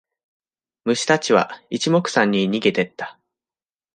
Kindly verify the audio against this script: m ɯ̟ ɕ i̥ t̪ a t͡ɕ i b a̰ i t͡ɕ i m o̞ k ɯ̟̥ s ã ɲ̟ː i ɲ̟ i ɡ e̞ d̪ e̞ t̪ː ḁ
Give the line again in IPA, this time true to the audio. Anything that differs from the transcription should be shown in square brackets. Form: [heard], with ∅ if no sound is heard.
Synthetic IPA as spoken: m ɯ̟ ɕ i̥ t̪ a t͡ɕ i [β] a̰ i t͡ɕ i m o̞ k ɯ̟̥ s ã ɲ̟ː i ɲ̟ i ɡ e̞ [t̪] e̞ t̪ː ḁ